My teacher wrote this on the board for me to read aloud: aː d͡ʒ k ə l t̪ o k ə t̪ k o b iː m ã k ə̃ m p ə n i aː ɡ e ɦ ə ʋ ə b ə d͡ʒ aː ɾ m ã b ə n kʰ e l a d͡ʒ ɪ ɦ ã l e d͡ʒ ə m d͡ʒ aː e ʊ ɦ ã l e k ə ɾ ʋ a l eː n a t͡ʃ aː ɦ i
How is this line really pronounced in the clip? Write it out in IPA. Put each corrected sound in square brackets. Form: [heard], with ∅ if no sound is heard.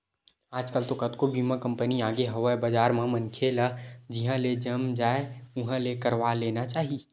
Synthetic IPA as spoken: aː d͡ʒ k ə l t̪ o k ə t̪ k o b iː m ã k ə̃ m p ə n i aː ɡ e ɦ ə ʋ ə b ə d͡ʒ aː ɾ m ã [m] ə n kʰ e l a d͡ʒ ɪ ɦ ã l e d͡ʒ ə m d͡ʒ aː e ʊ ɦ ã l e k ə ɾ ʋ a l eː n a t͡ʃ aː ɦ i